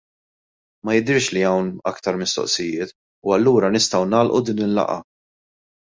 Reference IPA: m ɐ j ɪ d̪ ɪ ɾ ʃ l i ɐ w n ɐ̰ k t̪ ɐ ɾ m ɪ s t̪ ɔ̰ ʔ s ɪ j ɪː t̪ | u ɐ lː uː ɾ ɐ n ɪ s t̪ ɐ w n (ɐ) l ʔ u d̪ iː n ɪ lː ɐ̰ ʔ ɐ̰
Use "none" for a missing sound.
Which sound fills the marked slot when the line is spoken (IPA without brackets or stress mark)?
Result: ɐː